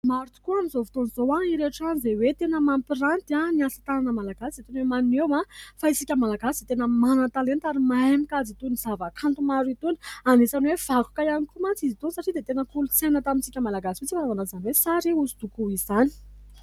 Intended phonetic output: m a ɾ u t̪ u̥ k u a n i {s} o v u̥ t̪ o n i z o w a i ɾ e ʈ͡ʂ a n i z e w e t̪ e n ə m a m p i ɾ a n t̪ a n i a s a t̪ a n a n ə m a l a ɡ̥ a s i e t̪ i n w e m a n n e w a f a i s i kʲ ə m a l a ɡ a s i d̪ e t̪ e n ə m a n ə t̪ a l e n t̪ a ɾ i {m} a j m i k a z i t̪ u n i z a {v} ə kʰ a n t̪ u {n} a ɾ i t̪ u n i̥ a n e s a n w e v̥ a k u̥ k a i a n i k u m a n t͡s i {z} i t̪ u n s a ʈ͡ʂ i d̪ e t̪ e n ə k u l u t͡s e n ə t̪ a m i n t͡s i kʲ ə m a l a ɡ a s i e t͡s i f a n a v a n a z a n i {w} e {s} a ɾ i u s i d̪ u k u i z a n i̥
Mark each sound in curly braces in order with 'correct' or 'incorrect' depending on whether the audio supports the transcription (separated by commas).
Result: incorrect, correct, correct, incorrect, correct, correct, correct